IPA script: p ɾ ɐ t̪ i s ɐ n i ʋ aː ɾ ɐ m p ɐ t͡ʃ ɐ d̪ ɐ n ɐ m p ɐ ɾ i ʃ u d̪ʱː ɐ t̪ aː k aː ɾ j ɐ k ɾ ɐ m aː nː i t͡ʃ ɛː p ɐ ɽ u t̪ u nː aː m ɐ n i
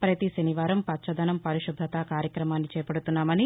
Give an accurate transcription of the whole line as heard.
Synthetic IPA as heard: p ɾ ɐ t̪ i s ɐ n i ʋ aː ɾ ɐ m p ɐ t͡ʃ ɐ d̪ ɐ n ɐ m p ɐ ɾ i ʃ u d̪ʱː ɐ t̪ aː k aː ɾ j ɐ k ɾ ɐ m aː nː i t͡ʃ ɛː p ɐ ɽ u t̪ u nː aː m ɐ n i

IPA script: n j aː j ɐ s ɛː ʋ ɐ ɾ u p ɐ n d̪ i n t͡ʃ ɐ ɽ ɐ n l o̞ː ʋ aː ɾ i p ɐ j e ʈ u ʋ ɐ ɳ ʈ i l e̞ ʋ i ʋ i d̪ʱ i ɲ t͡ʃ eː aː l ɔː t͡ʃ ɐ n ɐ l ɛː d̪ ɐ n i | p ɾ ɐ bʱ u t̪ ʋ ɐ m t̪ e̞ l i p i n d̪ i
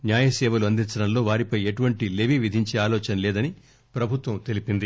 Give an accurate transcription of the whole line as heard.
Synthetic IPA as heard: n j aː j ɐ s ɛː ʋ ɐ l u ɐ n d̪ i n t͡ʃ ɐ ɽ ɐ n l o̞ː ʋ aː ɾ i p ɐ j e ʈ u ʋ ɐ ɳ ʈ i l e̞ ʋ i ʋ i d̪ʱ i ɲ t͡ʃ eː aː l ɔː t͡ʃ ɐ n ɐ l ɛː d̪ ɐ n i | p ɾ ɐ bʱ u t̪ ʋ ɐ m t̪ e̞ l i p i n d̪ i

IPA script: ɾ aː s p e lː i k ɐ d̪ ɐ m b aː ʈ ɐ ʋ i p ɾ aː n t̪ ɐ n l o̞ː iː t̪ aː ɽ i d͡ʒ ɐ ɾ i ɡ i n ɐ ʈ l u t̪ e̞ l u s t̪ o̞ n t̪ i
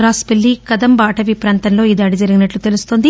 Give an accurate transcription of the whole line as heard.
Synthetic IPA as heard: ɾ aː s p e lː i k ɐ d̪ ɐ m b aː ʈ ɐ ʋ i p ɾ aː n t̪ ɐ n l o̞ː iː d̪ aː ɽ i d͡ʒ ɐ ɾ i ɡ i n ɐ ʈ l u t̪ e̞ l u s t̪ o̞ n d̪ i

